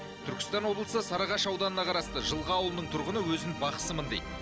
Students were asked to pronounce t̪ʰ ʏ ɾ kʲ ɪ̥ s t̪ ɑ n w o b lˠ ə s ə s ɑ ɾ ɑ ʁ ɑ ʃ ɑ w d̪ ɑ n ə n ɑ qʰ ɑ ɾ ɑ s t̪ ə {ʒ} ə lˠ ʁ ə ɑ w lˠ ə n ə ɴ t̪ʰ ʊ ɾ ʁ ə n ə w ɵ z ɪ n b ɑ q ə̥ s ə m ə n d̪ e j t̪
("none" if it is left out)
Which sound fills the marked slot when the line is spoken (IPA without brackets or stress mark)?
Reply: ʒ